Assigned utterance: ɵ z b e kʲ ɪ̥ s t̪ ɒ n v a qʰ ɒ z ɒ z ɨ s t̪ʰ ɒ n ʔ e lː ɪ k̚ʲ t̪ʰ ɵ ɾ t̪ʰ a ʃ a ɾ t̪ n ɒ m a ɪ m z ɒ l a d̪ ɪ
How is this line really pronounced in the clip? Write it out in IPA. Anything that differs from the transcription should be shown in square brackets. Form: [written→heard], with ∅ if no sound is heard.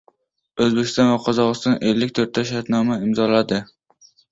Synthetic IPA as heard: ɵ z b e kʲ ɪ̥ s t̪ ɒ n v a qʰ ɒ z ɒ [z→ʁ] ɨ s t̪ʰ ɒ n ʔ e lː ɪ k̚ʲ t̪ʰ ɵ ɾ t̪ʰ a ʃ a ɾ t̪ n ɒ m a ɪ m z ɒ l a d̪ ɪ